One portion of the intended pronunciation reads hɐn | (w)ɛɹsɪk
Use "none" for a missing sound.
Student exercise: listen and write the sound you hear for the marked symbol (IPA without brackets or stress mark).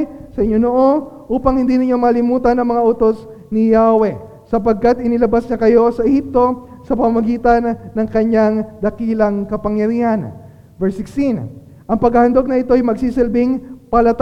v